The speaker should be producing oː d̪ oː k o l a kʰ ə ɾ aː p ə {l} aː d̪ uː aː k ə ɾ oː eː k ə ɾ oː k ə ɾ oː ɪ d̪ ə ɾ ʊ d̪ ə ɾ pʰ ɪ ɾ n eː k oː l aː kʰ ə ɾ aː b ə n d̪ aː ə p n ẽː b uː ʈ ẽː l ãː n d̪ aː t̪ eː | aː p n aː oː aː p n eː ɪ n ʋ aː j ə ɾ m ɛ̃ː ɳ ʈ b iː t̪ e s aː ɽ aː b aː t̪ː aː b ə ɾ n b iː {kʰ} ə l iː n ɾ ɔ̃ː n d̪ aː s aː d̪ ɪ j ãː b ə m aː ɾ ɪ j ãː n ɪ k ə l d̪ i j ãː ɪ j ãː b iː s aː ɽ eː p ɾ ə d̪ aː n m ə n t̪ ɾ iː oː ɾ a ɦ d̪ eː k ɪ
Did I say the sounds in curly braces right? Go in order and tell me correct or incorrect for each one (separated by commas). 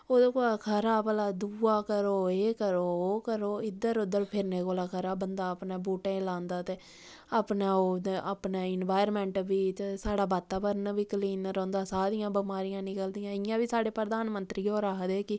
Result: correct, incorrect